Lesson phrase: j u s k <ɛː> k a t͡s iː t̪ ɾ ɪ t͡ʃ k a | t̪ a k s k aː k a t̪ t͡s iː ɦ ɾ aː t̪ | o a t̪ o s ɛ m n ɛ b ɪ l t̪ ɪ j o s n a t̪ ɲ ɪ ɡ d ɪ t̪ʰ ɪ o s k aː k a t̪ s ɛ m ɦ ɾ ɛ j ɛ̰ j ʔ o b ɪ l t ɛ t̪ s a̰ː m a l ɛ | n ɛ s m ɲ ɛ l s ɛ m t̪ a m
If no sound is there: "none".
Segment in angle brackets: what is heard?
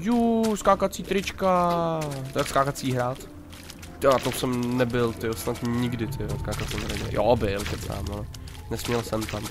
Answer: aː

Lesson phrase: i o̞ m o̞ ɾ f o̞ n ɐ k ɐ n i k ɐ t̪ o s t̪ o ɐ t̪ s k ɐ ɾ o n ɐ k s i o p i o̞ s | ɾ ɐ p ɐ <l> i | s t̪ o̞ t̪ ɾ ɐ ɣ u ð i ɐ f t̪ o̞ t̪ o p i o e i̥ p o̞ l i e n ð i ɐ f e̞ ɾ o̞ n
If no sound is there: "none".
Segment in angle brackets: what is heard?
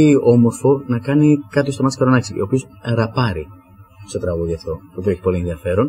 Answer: ɾ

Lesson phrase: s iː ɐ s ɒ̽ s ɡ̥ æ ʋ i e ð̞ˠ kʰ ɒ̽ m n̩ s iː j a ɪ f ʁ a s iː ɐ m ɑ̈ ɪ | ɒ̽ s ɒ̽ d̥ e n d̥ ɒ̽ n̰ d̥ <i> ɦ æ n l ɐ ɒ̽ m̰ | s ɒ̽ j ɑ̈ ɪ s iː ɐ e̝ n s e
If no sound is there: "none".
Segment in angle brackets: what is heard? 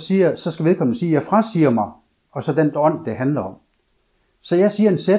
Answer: e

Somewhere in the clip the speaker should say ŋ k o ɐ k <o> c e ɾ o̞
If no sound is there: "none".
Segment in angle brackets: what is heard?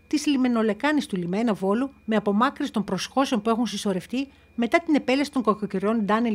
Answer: o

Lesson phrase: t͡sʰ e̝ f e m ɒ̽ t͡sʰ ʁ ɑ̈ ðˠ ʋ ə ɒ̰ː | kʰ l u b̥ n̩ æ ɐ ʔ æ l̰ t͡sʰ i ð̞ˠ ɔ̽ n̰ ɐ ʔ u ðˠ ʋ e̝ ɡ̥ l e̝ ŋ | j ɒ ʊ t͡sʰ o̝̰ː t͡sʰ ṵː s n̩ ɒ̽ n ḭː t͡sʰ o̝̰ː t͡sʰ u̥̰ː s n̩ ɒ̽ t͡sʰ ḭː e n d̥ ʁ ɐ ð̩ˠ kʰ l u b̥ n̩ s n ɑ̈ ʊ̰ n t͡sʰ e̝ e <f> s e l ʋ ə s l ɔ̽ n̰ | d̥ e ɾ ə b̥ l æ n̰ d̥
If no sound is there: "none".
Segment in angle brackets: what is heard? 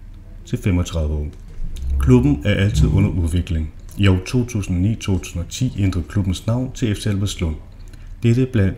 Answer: f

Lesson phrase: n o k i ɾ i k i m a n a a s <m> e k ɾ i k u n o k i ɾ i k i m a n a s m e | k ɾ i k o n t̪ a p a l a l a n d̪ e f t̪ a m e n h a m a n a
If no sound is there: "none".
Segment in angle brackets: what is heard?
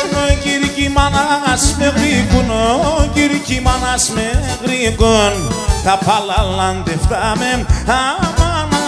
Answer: m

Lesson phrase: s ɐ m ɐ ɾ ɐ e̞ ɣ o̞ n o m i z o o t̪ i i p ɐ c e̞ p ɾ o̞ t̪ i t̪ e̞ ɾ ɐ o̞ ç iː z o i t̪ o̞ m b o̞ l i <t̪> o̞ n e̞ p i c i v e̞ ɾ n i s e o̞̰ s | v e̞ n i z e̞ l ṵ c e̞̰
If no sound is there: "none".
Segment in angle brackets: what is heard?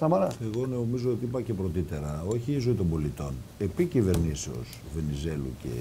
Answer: t̪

